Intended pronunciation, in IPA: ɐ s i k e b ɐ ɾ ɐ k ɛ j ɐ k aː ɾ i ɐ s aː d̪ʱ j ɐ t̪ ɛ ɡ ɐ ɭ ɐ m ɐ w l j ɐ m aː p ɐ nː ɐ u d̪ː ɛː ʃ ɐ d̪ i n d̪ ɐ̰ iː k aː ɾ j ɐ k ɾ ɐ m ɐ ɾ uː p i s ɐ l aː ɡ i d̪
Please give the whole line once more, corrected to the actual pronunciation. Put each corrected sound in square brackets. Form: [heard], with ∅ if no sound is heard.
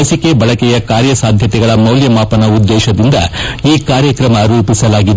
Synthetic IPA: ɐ s i k e b ɐ [ɭ] ɐ k ɛ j ɐ k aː ɾ [j] ɐ s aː d̪ʱ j ɐ t̪ ɛ ɡ ɐ ɭ ɐ m ɐ w l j ɐ m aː p ɐ [n] ɐ u d̪ː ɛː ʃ ɐ d̪ i n d̪ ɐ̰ iː k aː ɾ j ɐ k ɾ ɐ m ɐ ɾ uː p i s ɐ l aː ɡ i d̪

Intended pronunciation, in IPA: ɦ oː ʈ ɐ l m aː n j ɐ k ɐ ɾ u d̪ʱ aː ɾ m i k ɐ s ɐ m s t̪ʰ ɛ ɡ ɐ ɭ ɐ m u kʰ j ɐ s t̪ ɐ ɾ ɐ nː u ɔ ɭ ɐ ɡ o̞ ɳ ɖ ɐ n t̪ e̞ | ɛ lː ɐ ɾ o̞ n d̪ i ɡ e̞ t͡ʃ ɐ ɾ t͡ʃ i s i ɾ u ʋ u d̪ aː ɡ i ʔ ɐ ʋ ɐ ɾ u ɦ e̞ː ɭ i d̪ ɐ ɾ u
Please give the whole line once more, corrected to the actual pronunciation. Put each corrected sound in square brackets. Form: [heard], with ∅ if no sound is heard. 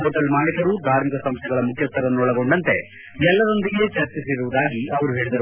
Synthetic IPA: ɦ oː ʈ ɐ l m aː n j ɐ k ɐ ɾ u d̪ʱ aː ɾ m i k ɐ s ɐ m s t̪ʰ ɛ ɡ ɐ ɭ ɐ m u kʰ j ɐ s t̪ ɐ ɾ ɐ nː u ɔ ɭ ɐ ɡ o̞ ɳ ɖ ɐ n t̪ e̞ | ɛ lː ɐ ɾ o̞ n d̪ i ɡ e̞ t͡ʃ ɐ ɾ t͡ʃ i s i ɾ u ʋ u d̪ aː ɡ i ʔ ɐ ʋ ɐ ɾ u ɦ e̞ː ɭ i d̪ ɐ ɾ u

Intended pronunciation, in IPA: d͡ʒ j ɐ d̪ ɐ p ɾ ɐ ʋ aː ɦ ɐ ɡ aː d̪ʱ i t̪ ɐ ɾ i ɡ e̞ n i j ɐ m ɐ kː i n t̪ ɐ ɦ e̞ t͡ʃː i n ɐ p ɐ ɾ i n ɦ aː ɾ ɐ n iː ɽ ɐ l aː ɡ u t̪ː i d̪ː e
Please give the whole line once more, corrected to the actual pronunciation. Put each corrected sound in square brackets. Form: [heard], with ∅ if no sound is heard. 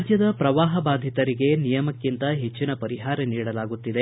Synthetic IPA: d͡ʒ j ɐ d̪ ɐ p ɾ ɐ ʋ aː ɦ ɐ [b] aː d̪ʱ i t̪ ɐ ɾ i ɡ e̞ n i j ɐ m ɐ kː i n t̪ ɐ ɦ e̞ t͡ʃː i n ɐ p ɐ ɾ i [∅] ɦ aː ɾ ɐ n iː ɽ ɐ l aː ɡ u t̪ː i [d̪] e

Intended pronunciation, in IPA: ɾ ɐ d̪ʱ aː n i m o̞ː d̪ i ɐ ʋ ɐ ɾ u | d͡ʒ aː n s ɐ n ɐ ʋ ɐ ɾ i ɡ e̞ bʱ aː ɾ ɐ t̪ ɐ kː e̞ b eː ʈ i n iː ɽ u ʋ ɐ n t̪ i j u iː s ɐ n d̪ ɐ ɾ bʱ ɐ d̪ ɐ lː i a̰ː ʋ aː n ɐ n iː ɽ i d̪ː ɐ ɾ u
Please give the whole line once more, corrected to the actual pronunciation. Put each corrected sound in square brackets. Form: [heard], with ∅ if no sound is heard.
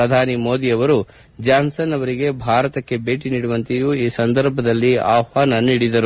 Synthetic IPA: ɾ ɐ d̪ʱ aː n i m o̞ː d̪ i ɐ ʋ ɐ ɾ u | d͡ʒ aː n s ɐ n ɐ ʋ ɐ ɾ i ɡ e̞ bʱ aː ɾ ɐ t̪ ɐ kː e̞ b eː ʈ i n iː ɽ u ʋ ɐ n t̪ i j u iː s ɐ n d̪ ɐ ɾ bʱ ɐ d̪ ɐ lː i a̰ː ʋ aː n ɐ n iː ɽ i [d̪] ɐ ɾ u

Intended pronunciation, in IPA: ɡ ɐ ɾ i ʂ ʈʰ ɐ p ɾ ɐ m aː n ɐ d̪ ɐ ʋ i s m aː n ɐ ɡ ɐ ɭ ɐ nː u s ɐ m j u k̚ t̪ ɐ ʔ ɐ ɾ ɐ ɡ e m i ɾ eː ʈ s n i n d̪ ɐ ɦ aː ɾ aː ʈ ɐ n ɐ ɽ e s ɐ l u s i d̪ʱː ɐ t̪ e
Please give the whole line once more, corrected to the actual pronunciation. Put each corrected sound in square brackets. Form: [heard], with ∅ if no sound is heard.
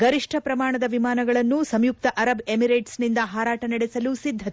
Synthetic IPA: ɡ ɐ ɾ i ʂ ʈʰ ɐ p ɾ ɐ m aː [ɳ] ɐ d̪ ɐ ʋ i [∅] m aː n ɐ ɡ ɐ ɭ ɐ nː u s ɐ m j u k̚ t̪ ɐ ʔ ɐ ɾ ɐ [b] e m i ɾ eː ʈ s n i n d̪ ɐ ɦ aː ɾ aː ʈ ɐ n ɐ ɽ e s ɐ l u s i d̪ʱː ɐ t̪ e

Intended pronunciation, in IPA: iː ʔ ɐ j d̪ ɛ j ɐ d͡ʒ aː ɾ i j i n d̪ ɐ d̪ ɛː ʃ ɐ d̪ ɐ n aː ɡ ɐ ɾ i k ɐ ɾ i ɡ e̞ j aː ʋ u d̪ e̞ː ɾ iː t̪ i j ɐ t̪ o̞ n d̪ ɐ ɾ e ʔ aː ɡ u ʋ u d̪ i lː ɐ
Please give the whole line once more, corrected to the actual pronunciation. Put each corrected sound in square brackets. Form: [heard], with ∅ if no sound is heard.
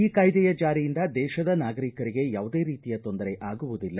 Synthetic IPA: iː [k] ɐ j d̪ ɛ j ɐ d͡ʒ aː ɾ i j i n d̪ ɐ d̪ ɛː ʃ ɐ d̪ ɐ n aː ɡ ɐ ɾ i k ɐ ɾ i ɡ e̞ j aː ʋ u d̪ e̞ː ɾ iː t̪ i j ɐ t̪ o̞ n d̪ ɐ ɾ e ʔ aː ɡ u ʋ u d̪ i lː ɐ

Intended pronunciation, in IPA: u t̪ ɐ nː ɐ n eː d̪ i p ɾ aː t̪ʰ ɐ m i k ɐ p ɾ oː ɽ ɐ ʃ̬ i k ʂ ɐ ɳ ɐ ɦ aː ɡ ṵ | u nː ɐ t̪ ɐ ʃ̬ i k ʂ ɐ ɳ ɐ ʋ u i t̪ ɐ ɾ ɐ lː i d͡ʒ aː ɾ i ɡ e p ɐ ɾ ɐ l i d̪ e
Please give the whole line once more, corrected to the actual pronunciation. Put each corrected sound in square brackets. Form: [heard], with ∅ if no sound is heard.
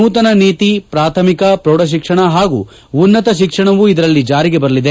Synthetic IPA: [uː] t̪ ɐ [n] ɐ n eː [t̪] i p ɾ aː t̪ʰ ɐ m i k ɐ p ɾ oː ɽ ɐ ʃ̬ i k ʂ ɐ ɳ ɐ ɦ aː ɡ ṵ | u nː ɐ t̪ ɐ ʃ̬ i k ʂ ɐ ɳ ɐ ʋ u i [d̪] ɐ ɾ ɐ lː i d͡ʒ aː ɾ i ɡ e [b] ɐ ɾ ɐ l i d̪ e

